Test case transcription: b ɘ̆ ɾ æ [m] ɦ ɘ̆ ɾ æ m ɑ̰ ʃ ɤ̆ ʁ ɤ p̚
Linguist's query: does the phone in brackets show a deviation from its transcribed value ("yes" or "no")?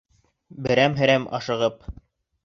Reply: no